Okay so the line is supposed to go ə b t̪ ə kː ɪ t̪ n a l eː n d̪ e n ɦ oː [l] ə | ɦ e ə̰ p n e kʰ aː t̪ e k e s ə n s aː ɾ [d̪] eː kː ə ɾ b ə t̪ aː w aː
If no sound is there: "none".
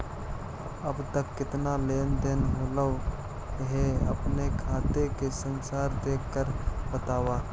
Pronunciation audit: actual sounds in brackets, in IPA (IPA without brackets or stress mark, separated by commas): l, d̪